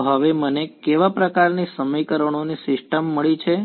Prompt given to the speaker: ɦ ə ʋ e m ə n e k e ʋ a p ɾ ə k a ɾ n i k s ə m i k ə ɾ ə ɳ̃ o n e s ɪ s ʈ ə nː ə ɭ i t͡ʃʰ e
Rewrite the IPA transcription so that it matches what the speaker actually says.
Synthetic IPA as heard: ɦ ə ʋ e m ə n e k e ʋ a p ɾ ə k a ɾ n i s ə m i k ə ɾ ə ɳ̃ o n i s ɪ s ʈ ə mː ə ɭ i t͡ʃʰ e